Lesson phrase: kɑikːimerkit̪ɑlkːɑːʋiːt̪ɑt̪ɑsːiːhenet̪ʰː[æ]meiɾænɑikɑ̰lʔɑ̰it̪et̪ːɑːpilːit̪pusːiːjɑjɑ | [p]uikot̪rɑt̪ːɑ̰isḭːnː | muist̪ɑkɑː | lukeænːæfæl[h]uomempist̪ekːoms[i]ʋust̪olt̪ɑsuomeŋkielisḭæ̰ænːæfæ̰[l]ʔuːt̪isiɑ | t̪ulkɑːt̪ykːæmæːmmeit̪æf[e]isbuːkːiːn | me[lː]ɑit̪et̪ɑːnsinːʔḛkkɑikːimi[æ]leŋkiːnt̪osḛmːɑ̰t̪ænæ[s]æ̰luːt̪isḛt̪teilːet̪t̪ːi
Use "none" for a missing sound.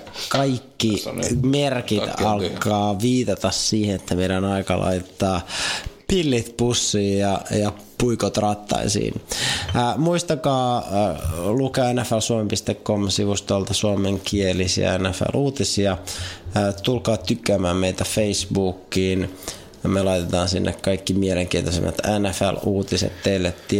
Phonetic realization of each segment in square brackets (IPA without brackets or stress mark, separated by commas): æ, p, s, i, l, e, l, e, f